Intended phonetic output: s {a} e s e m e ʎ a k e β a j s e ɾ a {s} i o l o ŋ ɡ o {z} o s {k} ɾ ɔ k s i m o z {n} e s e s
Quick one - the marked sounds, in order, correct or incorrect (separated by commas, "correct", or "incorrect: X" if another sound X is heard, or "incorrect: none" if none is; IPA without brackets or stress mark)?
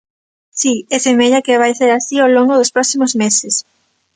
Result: incorrect: i, correct, incorrect: ð, incorrect: p, incorrect: m